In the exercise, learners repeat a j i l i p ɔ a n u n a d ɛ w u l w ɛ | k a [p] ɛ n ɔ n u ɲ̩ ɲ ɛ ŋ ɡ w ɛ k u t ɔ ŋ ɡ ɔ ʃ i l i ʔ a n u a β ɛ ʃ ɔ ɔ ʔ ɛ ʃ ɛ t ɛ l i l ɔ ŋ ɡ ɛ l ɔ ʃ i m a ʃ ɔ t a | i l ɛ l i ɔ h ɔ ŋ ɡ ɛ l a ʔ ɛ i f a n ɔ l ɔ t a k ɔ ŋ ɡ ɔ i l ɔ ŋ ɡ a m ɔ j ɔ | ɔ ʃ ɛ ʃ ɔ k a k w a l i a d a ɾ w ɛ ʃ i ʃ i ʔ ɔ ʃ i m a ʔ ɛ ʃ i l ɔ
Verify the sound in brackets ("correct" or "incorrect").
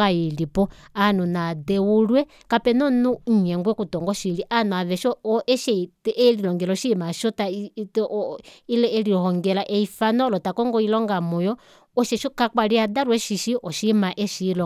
correct